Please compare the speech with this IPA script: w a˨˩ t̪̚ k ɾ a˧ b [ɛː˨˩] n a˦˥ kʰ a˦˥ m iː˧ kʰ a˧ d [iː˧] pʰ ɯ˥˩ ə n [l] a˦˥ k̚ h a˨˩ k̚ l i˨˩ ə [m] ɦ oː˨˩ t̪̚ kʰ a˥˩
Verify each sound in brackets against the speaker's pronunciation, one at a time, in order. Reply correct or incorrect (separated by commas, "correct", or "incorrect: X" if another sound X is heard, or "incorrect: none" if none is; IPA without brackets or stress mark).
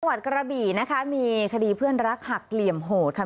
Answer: incorrect: iː˨˩, correct, incorrect: ɾ, correct